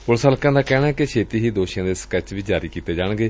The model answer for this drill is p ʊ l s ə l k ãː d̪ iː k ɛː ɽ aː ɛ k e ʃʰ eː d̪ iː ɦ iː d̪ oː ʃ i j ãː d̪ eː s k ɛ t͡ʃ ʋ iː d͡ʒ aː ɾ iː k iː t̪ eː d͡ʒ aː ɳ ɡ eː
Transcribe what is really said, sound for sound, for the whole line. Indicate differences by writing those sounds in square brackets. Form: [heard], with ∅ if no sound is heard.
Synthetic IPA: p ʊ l s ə l k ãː d̪ [aː] k ɛː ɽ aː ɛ k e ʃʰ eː [t̪] iː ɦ iː d̪ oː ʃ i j ãː d̪ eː s k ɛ t͡ʃ ʋ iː d͡ʒ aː ɾ iː k iː t̪ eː d͡ʒ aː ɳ ɡ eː